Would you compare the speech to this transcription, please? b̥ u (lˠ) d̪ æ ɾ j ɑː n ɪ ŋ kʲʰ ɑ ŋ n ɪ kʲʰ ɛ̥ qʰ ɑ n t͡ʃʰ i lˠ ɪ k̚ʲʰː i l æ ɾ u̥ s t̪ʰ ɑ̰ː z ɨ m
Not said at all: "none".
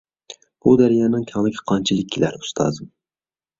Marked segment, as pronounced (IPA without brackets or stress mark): none